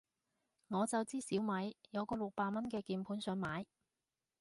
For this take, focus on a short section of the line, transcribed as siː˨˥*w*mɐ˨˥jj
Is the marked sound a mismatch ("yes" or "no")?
no